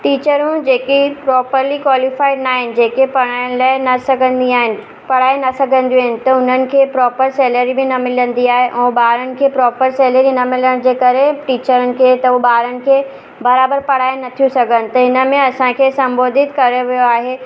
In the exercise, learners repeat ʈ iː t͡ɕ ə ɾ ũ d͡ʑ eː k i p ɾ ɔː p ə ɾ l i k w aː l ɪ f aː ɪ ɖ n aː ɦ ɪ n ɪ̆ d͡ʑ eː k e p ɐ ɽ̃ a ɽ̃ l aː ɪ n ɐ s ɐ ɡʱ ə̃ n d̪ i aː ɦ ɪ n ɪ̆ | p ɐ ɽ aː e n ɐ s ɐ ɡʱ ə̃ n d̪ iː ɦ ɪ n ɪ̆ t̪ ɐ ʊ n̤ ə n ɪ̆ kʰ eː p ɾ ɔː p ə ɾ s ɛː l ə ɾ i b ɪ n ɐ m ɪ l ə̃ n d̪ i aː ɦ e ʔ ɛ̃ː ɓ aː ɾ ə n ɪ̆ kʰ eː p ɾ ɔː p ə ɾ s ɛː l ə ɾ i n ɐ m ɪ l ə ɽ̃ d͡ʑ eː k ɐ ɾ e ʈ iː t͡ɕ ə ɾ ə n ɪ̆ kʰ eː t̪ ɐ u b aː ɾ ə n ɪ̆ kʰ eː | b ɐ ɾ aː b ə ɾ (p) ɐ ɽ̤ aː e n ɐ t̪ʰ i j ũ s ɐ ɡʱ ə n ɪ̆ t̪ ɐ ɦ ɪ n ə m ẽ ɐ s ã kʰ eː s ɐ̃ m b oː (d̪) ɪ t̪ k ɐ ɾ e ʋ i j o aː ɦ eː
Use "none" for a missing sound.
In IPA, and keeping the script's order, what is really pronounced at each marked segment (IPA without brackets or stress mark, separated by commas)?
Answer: p, d̪